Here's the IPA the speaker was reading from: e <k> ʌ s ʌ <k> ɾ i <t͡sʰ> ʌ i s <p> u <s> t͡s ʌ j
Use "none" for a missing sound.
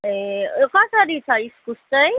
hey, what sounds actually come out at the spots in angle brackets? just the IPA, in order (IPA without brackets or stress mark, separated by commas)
k, none, t͡sʰ, k, s